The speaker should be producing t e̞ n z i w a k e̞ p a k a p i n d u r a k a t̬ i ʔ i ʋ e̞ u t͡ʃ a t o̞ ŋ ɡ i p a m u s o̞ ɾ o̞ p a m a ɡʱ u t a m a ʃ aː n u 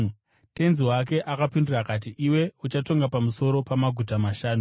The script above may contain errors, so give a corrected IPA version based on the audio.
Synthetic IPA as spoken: t e̞ n z i w a k e̞ ʔ a k a p i n d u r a k a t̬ i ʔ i w e̞ u t͡ʃ a t o̞ ŋ ɡ a p a m u s o̞ ɾ o̞ p a m a ɡʱ u t a m a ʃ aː n u